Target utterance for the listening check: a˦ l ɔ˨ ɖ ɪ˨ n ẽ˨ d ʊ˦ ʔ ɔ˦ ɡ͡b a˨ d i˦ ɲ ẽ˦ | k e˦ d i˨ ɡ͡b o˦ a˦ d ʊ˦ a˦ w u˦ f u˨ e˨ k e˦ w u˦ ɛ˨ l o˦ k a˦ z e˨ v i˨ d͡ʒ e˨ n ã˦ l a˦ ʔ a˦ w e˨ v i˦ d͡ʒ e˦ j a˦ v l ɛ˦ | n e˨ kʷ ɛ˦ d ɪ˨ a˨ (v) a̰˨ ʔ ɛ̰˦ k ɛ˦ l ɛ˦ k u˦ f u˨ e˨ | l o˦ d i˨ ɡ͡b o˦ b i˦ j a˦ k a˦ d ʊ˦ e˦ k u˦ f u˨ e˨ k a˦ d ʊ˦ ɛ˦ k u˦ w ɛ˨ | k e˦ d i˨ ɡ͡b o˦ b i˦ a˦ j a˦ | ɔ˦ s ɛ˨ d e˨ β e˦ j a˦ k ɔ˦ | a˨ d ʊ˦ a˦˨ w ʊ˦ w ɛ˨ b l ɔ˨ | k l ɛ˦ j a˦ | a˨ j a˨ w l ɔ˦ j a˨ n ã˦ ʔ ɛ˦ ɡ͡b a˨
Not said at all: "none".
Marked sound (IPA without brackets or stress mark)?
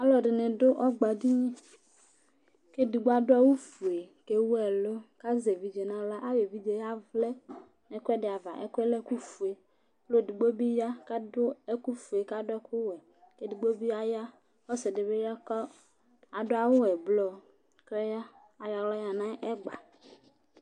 v